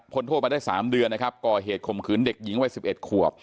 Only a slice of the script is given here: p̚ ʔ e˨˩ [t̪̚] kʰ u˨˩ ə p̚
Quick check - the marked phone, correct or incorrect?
correct